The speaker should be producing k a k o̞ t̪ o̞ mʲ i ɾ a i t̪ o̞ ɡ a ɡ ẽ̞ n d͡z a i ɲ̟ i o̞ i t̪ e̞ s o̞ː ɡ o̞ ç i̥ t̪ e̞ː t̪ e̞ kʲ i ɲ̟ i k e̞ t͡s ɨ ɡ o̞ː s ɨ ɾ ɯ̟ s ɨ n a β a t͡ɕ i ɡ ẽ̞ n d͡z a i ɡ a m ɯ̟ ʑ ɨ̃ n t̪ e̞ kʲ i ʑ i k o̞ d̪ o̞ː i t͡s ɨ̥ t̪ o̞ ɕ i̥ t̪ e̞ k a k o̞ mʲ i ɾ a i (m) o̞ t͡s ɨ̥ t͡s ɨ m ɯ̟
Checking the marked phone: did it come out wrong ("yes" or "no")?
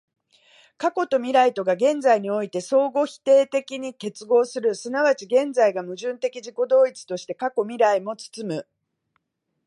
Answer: no